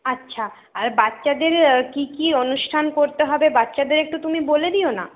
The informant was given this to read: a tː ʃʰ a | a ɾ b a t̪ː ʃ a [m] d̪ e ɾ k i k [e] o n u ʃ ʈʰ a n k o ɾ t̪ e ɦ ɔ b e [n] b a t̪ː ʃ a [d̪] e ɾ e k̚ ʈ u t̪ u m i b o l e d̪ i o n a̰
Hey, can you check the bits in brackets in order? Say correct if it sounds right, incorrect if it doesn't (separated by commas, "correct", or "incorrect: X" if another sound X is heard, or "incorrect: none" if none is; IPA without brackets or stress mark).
incorrect: none, incorrect: i, incorrect: none, correct